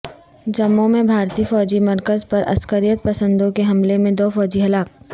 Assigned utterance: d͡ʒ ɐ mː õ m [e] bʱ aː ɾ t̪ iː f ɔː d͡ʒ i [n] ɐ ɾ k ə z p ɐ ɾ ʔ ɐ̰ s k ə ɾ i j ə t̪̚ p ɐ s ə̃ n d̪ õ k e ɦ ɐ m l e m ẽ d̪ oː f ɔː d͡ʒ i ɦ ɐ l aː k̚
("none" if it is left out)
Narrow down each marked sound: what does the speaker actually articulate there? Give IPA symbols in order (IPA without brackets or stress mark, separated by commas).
ẽ, m